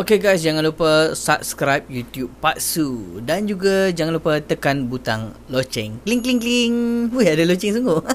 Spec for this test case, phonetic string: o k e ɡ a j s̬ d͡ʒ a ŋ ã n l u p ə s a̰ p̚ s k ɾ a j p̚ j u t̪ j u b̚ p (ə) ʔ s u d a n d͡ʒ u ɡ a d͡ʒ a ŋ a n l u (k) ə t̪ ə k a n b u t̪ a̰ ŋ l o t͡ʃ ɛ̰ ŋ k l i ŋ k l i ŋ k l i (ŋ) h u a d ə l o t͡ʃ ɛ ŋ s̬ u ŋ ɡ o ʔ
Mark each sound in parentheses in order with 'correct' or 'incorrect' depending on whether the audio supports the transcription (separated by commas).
incorrect, incorrect, correct